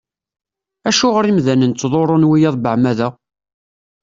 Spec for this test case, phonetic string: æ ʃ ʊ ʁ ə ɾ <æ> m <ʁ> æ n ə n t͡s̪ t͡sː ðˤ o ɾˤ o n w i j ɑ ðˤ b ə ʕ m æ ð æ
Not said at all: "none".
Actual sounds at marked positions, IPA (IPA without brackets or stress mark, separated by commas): i, ð